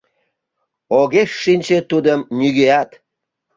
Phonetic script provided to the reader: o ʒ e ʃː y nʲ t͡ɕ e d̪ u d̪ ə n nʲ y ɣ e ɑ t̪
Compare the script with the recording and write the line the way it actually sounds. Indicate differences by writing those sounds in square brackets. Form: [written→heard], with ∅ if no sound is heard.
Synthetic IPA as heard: o [ʒ→ɣ] e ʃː [y→i] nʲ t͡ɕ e [d̪→t̪] u d̪ ə [n→m] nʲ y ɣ e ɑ t̪